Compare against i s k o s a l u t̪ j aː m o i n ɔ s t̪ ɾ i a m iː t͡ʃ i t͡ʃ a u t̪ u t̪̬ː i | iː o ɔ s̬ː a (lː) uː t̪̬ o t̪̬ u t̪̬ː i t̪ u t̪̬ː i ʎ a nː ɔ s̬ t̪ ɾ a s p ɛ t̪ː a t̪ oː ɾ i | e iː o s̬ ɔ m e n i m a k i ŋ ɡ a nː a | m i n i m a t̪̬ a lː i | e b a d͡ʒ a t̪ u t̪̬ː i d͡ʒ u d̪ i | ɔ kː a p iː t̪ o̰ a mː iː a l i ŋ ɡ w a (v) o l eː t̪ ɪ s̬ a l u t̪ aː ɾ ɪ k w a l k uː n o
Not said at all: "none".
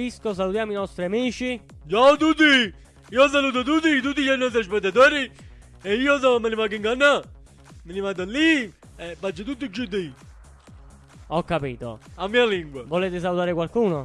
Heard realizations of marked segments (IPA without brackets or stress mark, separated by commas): l, v